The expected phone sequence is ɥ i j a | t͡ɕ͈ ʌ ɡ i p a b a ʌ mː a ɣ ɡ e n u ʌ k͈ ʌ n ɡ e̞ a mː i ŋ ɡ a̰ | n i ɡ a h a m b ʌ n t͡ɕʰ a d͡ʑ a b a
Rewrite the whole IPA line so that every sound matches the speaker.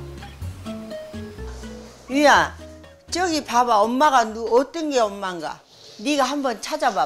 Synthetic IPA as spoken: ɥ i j a | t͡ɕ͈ ʌ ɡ i p a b a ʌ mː a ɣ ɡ a n u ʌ t͈ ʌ n ɡ e̞ ʌ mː a ŋ ɡ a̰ | n i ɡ a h a m b ʌ n t͡ɕʰ a d͡ʑ a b a